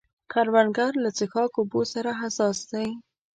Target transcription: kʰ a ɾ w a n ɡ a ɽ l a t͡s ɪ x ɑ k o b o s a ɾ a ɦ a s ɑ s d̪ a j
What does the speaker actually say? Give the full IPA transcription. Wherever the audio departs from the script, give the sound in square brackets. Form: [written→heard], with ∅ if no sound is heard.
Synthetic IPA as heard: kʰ a ɾ w a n ɡ a [ɽ→ɾ] l a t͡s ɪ x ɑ k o b o s a ɾ a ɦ a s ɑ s d̪ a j